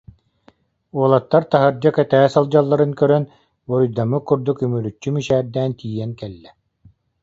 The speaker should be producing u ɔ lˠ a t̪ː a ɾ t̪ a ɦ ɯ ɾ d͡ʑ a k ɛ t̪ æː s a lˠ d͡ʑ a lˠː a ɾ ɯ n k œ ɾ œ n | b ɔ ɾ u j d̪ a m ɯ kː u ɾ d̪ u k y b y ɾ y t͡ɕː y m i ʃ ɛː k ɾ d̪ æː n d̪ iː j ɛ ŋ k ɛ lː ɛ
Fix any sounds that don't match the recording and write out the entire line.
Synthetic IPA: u ɔ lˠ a t̪ː a ɾ t̪ a ɦ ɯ ɾ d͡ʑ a k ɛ t̪ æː s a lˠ d͡ʑ a lˠː a ɾ ɯ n k œ ɾ œ n | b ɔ ɾ u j d̪ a m ɯ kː u ɾ d̪ u k y m y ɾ y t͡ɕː y m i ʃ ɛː ɾ d̪ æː n t̪ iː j ɛ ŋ k ɛ lː ɛ